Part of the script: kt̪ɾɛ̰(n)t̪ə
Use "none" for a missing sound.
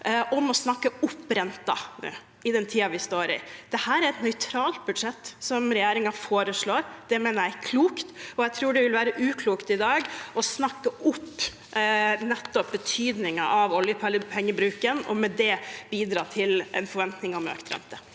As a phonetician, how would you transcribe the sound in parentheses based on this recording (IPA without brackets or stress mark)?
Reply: n